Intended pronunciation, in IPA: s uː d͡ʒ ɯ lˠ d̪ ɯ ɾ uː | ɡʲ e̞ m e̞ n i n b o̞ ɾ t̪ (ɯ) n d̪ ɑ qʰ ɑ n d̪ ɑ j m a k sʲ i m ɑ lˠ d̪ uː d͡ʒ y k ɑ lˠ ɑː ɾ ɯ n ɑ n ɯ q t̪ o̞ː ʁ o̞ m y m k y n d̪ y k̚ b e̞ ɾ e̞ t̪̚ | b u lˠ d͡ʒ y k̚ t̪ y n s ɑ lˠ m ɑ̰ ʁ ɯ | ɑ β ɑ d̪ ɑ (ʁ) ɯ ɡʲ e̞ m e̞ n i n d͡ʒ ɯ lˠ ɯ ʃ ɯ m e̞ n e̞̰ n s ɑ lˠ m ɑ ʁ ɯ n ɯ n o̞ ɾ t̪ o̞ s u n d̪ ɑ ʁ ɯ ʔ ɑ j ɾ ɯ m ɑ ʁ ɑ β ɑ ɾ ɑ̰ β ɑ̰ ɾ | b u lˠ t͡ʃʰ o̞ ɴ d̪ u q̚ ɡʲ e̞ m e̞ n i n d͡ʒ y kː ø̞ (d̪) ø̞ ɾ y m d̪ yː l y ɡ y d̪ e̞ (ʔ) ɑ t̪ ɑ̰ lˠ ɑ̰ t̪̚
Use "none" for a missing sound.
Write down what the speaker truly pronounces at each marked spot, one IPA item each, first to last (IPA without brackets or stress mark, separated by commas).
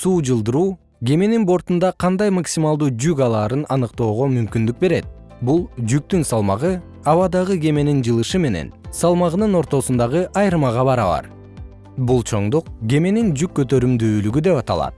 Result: u, ʁ, t̪, p